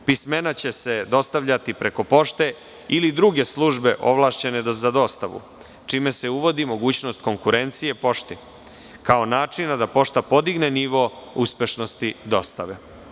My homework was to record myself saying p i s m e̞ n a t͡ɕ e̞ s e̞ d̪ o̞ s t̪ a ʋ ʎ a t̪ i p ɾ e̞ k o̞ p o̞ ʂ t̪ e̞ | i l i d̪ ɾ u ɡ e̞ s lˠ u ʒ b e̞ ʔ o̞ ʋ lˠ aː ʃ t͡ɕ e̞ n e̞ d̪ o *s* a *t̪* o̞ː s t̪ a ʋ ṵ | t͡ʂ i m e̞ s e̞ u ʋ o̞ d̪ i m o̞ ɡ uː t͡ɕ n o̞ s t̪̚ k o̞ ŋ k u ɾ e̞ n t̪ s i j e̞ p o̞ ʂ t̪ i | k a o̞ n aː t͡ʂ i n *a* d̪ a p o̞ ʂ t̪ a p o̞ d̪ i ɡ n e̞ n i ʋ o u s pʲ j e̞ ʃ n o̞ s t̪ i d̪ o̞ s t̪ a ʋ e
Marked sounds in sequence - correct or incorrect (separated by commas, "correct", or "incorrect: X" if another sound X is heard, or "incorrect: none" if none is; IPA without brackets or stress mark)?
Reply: incorrect: z, incorrect: d̪, correct